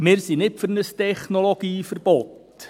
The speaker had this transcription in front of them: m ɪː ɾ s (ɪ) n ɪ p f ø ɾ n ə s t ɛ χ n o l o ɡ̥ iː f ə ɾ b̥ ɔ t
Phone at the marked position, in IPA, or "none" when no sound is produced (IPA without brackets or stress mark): i